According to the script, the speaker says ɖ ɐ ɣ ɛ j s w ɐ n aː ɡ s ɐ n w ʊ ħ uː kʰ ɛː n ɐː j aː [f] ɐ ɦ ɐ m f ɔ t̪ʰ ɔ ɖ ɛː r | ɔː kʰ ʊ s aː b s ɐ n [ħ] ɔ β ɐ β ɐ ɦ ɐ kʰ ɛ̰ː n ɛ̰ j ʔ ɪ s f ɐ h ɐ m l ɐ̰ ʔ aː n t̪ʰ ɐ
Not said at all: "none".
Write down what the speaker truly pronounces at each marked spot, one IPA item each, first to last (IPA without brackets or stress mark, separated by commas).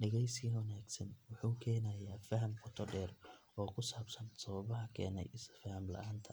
f, s